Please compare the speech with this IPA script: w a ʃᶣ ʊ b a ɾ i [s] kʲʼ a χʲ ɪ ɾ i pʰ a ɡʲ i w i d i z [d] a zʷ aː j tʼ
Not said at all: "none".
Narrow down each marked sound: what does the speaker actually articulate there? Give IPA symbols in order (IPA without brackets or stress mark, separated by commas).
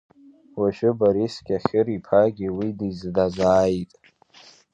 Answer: s, d